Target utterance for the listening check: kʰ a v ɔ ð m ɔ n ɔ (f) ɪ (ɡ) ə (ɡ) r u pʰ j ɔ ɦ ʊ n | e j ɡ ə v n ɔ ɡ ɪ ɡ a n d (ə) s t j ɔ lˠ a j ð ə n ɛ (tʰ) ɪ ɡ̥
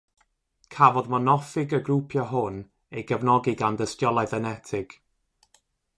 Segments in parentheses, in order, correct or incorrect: correct, correct, correct, correct, correct

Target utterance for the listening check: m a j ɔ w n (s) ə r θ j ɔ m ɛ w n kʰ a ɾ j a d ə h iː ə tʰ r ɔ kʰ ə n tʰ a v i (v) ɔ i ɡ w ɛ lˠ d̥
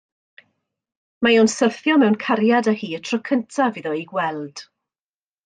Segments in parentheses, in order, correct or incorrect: correct, incorrect: ð

